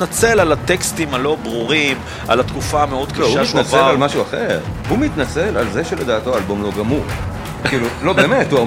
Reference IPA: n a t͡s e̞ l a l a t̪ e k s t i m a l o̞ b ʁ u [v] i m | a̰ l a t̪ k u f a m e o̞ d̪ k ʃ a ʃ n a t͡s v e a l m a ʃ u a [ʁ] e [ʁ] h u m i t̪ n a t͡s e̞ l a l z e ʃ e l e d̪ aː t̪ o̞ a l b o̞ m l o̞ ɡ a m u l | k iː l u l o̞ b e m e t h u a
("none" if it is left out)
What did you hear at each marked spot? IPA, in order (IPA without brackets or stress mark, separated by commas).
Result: ʁ, χ, ʁ